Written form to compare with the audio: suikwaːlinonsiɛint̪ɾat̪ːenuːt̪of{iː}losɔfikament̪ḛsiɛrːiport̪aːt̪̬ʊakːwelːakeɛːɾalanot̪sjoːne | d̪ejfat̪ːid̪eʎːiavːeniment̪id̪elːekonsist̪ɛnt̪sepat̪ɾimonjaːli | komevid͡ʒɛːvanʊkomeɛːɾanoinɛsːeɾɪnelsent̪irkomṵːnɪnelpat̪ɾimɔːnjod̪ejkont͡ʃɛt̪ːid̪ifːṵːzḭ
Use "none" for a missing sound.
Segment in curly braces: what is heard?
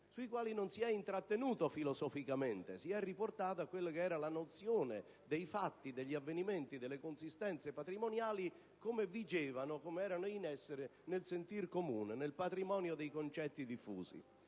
i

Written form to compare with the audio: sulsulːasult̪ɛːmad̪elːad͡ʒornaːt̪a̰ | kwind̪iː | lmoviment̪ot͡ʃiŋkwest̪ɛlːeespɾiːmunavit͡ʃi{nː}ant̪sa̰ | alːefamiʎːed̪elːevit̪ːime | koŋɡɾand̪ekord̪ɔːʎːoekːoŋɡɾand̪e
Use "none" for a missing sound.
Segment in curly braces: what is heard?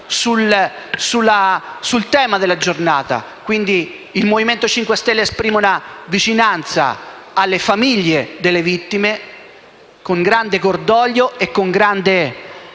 n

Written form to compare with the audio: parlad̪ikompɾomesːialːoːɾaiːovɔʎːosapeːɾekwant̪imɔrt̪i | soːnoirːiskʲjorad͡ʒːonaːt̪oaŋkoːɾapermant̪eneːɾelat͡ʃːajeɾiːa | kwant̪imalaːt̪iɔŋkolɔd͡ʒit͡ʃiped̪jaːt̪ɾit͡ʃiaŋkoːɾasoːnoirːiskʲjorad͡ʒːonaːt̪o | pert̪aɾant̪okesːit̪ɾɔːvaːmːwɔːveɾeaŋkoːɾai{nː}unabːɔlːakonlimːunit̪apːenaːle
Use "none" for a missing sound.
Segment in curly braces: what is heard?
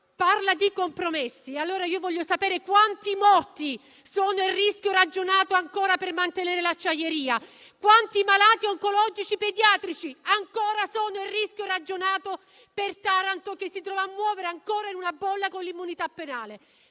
n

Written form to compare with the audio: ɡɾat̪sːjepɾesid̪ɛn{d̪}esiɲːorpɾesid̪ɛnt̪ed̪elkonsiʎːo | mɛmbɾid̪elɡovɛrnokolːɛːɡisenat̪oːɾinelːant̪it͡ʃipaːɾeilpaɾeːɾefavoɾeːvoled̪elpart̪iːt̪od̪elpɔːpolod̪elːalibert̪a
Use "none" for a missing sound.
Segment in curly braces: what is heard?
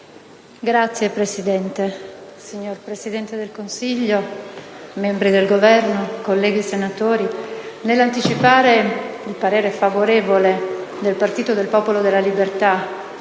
t̪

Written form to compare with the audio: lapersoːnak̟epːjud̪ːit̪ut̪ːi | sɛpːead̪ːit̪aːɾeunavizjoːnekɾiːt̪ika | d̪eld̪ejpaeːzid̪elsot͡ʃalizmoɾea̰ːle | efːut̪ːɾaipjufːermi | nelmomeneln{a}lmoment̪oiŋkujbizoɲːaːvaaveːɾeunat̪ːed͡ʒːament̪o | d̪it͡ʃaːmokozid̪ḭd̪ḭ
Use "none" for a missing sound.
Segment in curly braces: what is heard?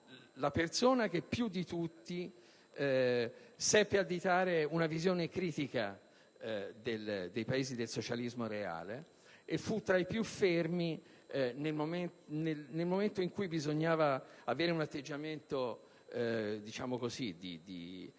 e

